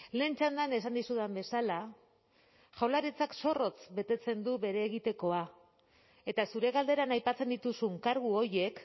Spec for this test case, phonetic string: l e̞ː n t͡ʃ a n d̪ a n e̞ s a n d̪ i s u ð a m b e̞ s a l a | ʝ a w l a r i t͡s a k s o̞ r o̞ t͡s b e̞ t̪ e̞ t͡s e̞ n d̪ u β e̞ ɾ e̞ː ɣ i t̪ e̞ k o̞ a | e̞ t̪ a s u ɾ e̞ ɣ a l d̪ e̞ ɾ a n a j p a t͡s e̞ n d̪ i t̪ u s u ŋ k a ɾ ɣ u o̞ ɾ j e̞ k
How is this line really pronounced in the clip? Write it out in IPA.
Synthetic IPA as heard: l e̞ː n t͡ʃ a n d̪ a n e̞ s a n d̪ i s u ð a m b e̞ s a l a | ʝ a w l a ɾ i t͡s a k s o̞ r o̞ t͡s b e̞ t̪ e̞ t͡s e̞ n d̪ u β e̞ ɾ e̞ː ɣ i t̪ e̞ k o̞ a | e̞ t̪ a s u ɾ e̞ ɣ a l d̪ e̞ ɾ a n a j p a t͡s e̞ n d̪ i t̪ u s u ŋ k a ɾ ɣ u o̞ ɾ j e̞ k